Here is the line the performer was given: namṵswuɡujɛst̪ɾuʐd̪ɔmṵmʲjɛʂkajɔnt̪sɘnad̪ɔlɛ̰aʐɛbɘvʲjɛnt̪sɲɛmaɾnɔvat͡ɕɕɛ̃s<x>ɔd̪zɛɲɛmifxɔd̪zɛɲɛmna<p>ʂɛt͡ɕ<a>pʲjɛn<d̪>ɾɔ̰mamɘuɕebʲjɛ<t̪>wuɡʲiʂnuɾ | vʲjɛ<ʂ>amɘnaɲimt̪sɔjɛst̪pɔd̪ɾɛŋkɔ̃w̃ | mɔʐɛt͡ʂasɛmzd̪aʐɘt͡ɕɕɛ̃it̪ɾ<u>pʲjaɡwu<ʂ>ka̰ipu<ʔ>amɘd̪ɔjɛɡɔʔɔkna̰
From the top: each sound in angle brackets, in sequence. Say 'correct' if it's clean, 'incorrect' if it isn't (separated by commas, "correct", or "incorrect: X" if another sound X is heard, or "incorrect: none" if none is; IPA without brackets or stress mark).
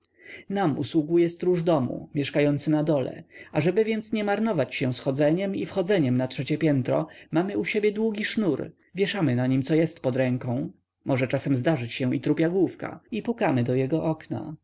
correct, incorrect: t, incorrect: ɛ, incorrect: t̪, incorrect: d̪, correct, correct, incorrect: f, incorrect: k